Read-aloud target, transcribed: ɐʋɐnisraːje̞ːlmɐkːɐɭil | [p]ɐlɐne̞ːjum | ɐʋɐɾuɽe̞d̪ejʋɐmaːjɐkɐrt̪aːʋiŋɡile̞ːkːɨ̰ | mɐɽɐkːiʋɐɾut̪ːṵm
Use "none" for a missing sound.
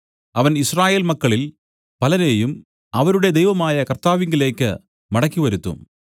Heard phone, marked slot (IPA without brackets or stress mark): p